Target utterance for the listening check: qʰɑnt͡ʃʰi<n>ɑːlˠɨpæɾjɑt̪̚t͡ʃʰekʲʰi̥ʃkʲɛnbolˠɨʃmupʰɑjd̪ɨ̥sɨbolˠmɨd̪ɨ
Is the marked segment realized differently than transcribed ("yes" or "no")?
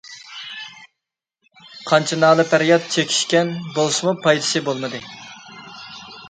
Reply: no